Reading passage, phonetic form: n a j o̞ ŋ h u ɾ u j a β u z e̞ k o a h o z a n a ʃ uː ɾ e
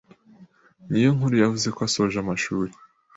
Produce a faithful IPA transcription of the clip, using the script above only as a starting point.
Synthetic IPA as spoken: n i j o̞ ŋ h u ɾ u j a v u z e̞ k o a s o ʒ a m a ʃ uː ɾ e